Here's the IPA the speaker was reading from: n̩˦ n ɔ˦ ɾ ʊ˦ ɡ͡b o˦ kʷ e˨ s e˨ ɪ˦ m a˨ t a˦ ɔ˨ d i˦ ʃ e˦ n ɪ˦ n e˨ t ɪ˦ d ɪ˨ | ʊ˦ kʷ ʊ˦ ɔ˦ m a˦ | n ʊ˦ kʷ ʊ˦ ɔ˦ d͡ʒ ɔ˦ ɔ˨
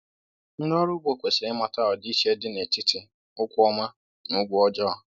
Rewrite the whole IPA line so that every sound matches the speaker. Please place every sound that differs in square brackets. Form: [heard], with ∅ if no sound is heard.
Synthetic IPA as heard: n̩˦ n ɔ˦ ɾ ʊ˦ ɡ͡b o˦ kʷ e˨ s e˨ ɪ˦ m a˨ t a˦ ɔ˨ d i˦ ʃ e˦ [d] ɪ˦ n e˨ t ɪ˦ [t] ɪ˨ | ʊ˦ kʷ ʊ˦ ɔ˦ m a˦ | n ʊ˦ [ɡʷ] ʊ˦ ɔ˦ d͡ʒ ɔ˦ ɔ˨

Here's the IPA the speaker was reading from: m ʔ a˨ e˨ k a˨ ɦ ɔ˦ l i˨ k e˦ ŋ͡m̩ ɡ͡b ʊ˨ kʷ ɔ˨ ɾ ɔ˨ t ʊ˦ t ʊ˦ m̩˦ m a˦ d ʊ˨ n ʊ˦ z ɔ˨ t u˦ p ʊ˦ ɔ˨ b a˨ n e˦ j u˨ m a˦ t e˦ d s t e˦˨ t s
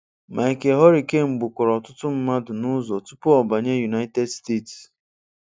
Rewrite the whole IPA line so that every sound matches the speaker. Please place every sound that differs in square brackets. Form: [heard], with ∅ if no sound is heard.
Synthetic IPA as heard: m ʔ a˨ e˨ k [e˨] ɦ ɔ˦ [ɾ] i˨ k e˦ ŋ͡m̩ ɡ͡b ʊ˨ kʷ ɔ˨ ɾ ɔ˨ t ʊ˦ t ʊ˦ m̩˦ m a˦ d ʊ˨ n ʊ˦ z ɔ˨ t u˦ p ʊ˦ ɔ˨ b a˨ [ɲ] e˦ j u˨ [n] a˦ t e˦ d s t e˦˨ t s

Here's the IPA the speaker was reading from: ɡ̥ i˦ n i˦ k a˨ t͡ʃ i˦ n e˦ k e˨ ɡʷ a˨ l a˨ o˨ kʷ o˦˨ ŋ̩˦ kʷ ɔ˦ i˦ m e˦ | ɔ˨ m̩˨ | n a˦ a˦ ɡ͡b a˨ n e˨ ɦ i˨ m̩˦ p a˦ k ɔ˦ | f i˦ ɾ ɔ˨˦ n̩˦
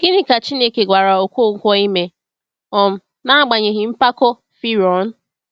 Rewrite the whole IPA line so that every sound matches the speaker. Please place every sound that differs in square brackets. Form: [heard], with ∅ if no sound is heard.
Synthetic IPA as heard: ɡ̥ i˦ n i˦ k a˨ t͡ʃ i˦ n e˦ k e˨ ɡʷ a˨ [ɾ] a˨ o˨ kʷ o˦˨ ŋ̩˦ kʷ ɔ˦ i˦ m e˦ | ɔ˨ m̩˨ | n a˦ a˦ ɡ͡b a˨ [ɲ] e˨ ɦ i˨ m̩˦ p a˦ k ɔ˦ | f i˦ ɾ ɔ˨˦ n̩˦

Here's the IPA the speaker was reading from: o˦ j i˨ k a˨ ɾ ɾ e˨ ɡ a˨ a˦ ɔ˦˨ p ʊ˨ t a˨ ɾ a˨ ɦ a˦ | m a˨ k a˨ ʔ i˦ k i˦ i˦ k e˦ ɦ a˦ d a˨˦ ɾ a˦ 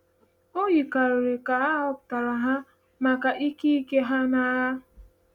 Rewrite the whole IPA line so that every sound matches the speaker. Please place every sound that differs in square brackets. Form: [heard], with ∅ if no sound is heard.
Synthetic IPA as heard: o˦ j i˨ k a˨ ɾ ɾ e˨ [k] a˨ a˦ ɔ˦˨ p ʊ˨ t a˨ ɾ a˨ ɦ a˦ | m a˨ k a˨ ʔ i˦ k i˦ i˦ k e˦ ɦ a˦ [n] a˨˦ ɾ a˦

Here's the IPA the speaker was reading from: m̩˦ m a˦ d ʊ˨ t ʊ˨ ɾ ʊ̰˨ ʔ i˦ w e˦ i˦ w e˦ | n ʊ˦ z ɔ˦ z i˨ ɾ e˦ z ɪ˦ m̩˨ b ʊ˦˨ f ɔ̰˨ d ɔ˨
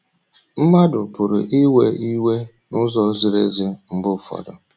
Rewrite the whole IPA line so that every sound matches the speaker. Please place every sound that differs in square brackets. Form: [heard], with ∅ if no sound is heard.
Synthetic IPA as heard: m̩˦ m a˦ d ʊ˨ [p] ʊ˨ ɾ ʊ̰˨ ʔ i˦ w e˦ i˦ w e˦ | n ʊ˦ z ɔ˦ z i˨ ɾ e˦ z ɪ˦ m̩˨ b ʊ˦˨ f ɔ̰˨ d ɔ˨

